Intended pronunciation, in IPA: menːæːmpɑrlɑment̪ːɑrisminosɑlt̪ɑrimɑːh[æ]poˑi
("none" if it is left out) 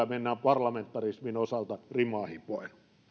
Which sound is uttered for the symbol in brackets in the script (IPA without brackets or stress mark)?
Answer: i